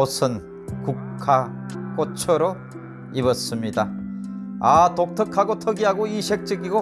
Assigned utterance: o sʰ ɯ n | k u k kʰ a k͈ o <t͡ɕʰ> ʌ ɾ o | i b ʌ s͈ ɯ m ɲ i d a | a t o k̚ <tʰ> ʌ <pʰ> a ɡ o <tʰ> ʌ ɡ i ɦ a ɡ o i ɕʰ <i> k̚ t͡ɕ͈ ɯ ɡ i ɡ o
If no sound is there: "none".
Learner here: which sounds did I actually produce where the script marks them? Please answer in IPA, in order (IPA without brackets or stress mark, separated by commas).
t͡ɕʰ, tʰ, kʰ, tʰ, e